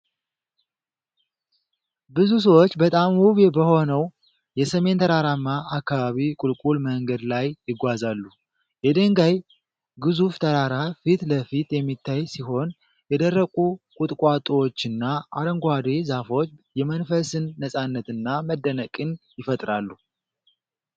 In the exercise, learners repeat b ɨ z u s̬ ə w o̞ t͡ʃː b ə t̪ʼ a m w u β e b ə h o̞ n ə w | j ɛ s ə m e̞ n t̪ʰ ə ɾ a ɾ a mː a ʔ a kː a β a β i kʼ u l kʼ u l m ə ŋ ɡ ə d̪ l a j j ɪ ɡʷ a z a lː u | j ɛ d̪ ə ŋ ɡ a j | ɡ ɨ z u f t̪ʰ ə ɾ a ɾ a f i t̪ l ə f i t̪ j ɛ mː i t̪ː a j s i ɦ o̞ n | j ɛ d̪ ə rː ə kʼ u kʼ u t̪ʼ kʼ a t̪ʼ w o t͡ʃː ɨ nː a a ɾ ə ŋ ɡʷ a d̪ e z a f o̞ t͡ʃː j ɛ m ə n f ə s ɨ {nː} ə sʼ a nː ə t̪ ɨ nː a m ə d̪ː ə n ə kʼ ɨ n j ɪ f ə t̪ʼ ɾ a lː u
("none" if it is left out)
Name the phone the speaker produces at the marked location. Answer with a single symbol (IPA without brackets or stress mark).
nː